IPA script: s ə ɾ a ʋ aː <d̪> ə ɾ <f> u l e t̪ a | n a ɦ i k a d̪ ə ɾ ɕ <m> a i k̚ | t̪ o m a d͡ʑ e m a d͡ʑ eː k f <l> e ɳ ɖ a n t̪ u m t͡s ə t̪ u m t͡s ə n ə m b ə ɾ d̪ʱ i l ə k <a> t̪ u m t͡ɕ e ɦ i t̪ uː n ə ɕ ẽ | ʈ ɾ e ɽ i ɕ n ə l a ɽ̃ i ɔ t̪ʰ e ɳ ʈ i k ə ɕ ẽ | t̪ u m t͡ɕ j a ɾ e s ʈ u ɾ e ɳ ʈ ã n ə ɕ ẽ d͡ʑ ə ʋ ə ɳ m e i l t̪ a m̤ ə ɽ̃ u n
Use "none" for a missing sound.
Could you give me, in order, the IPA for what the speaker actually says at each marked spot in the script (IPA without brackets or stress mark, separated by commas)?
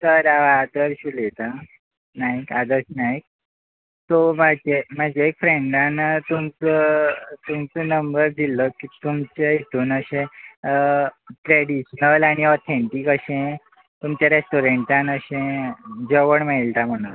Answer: d̪, ɕ, n, ɾ, i